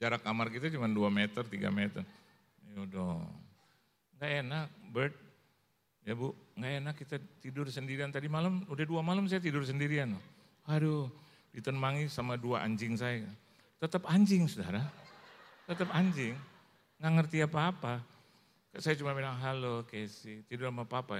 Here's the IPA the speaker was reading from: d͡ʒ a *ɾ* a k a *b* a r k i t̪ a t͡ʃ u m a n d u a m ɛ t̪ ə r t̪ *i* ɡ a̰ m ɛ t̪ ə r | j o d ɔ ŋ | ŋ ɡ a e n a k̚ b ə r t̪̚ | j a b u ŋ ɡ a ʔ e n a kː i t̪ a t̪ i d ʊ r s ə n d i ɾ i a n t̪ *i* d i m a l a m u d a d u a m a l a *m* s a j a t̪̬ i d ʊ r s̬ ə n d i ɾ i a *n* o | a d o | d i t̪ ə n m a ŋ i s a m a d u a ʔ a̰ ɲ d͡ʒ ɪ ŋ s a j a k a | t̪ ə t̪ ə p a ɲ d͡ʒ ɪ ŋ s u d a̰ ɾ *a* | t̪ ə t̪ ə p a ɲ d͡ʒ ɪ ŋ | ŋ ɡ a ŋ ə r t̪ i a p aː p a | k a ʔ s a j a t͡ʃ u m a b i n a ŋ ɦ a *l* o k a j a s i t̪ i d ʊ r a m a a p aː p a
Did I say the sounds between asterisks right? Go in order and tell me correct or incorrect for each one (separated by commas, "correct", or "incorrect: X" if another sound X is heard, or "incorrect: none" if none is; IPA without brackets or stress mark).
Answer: correct, incorrect: m, correct, incorrect: a, correct, correct, correct, correct